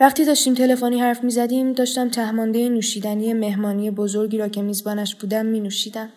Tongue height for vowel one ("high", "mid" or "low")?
low